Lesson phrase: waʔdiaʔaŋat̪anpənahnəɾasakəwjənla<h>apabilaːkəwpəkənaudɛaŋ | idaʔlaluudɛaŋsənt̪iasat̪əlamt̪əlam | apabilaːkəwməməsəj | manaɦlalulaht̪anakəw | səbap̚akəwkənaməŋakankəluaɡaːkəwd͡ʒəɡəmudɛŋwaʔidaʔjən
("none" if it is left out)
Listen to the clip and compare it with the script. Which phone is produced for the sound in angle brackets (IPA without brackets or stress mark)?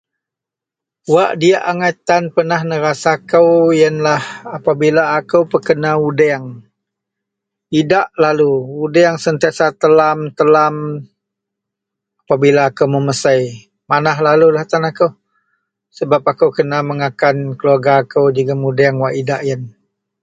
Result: h